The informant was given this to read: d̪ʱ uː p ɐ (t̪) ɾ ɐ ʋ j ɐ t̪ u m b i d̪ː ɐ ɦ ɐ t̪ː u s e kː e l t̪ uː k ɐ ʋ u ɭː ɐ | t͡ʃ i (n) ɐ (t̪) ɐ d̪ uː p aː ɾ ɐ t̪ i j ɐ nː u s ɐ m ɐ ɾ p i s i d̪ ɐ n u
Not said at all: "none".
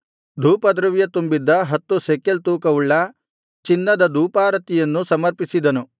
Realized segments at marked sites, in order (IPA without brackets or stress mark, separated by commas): d̪, nː, d̪